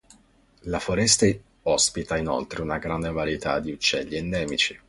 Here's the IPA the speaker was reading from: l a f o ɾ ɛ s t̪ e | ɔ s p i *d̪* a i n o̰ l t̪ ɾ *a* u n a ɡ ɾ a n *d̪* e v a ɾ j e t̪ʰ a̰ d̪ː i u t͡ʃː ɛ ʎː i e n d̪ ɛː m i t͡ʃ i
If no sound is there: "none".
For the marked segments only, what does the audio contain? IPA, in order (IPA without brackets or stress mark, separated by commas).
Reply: t̪, e, d̪